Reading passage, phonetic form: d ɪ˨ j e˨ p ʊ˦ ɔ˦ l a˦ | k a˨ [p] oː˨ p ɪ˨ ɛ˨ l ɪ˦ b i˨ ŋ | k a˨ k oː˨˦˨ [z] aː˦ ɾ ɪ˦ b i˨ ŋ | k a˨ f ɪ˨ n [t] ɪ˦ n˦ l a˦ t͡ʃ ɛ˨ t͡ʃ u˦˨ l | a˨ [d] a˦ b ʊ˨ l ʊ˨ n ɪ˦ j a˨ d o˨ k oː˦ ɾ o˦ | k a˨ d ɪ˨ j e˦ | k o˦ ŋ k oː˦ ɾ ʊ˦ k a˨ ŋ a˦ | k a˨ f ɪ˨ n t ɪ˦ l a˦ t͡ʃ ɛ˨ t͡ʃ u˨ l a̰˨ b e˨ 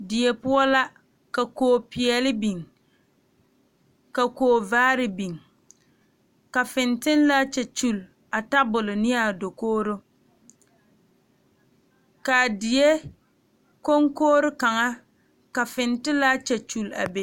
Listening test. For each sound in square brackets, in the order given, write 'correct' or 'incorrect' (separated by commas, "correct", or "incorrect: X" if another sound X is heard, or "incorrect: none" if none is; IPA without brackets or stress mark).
incorrect: k, incorrect: v, correct, incorrect: t